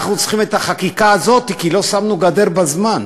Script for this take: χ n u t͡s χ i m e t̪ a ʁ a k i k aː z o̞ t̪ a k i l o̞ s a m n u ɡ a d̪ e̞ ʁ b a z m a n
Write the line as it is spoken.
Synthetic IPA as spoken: χ n u t͡s χ i m e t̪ a χ a k i k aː z o̞ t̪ i k i l o̞ s a m n u ɡ a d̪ e̞ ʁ b a z m a n